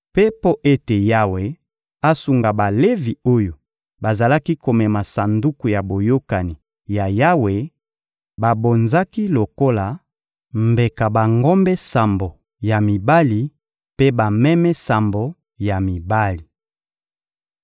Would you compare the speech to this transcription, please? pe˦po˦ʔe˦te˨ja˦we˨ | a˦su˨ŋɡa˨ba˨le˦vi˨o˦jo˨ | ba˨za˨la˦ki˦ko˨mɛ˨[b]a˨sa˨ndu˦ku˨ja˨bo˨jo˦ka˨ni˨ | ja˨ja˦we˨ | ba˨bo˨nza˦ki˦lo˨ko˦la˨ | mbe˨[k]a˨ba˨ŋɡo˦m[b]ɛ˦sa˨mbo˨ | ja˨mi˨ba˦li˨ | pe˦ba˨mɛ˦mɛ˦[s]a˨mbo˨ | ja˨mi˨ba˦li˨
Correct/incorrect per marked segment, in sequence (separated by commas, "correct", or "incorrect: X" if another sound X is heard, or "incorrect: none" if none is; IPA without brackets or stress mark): incorrect: m, correct, correct, correct